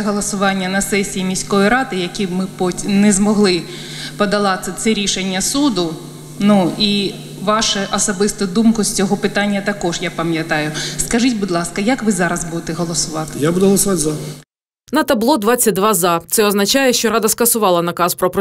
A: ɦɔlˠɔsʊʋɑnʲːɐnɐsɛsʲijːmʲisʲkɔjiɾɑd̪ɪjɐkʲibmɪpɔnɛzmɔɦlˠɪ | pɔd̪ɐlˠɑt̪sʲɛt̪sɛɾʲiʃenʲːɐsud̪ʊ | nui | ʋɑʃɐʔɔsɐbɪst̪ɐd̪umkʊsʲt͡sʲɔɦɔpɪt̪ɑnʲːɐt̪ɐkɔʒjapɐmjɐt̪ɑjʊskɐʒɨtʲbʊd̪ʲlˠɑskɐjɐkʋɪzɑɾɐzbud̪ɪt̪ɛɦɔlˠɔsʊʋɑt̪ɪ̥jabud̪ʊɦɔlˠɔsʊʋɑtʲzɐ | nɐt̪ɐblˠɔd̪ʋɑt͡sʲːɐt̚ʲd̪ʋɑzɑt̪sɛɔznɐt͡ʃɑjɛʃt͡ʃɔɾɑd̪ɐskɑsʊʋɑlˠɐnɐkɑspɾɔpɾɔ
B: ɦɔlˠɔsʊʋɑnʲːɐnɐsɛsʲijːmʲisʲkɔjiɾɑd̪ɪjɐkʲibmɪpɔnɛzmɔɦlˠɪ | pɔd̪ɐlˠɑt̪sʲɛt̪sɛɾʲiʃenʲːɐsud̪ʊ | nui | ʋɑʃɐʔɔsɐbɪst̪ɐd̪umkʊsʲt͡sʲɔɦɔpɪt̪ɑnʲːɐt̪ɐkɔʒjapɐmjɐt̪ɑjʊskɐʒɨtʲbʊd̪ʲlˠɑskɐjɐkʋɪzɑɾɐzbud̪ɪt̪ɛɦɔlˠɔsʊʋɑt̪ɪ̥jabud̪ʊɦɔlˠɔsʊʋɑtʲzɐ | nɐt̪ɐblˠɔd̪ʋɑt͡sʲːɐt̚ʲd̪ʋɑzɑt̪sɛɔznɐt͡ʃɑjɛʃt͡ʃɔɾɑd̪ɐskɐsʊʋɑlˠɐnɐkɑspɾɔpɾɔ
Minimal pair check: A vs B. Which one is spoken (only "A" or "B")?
B